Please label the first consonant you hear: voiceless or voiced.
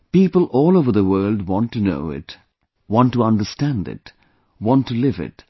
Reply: voiceless